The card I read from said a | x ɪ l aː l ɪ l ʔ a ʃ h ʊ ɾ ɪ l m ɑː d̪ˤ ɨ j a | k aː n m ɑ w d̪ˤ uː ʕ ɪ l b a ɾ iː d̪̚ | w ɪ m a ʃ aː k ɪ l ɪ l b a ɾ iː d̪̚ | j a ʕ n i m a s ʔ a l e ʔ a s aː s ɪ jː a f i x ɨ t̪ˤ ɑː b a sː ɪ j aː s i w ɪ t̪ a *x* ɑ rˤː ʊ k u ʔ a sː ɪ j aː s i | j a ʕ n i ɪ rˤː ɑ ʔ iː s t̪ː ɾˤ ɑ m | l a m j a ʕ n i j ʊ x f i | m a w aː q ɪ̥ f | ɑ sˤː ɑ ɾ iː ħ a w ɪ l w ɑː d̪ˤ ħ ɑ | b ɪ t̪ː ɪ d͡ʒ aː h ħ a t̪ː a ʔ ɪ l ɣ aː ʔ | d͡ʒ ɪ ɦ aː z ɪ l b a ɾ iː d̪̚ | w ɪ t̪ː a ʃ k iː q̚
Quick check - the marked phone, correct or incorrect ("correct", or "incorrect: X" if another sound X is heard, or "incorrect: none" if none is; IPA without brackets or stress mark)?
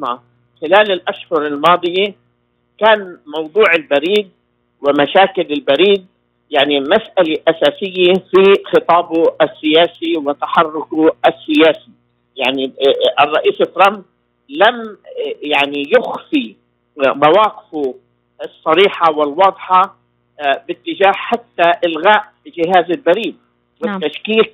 incorrect: ħ